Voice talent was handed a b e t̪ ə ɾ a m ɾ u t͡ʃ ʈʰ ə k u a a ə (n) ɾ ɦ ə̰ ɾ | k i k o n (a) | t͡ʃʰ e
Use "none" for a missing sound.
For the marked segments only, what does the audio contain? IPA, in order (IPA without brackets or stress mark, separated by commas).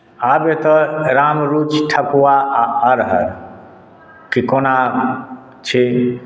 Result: none, a